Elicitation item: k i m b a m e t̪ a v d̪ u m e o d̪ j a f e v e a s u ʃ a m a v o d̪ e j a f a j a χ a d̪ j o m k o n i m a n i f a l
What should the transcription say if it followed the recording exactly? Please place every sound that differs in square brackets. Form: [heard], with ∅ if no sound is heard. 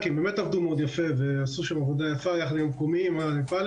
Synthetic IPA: k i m b [e] m e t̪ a v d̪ u m e o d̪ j a f e v e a s u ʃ a m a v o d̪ [a] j a f a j a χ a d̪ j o m k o [m] i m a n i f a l